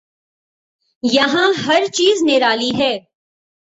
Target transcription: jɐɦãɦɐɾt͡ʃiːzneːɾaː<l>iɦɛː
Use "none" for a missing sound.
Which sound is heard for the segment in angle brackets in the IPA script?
l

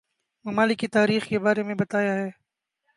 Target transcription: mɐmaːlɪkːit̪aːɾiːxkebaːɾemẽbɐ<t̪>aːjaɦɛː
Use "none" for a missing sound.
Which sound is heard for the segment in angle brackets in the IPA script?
t̪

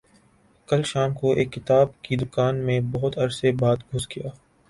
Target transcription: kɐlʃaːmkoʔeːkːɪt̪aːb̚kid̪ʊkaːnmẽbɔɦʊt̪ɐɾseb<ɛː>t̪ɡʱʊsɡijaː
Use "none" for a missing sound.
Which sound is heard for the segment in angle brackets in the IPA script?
aː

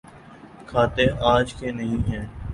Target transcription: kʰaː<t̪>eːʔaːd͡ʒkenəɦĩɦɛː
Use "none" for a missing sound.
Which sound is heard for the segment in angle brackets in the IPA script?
t̪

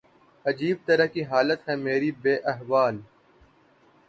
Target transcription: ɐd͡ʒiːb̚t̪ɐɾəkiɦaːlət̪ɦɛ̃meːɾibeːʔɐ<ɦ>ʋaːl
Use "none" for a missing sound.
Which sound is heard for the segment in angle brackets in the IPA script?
ɦ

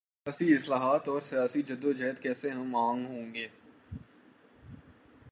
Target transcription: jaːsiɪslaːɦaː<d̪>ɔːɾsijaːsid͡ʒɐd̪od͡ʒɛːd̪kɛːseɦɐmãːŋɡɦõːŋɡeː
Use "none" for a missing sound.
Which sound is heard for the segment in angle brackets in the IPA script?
t̪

